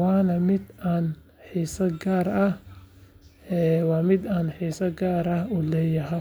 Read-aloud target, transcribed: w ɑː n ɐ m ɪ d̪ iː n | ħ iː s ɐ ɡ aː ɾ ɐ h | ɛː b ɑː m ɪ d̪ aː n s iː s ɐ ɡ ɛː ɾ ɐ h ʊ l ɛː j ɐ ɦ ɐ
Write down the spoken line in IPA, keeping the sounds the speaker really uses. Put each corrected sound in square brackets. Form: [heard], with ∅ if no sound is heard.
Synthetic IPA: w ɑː n ɐ m ɪ d̪ [aː] n | ħ iː s ɐ ɡ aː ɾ ɐ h | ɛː [w] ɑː m ɪ d̪ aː n [ħ] iː s ɐ ɡ [aː] ɾ ɐ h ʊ l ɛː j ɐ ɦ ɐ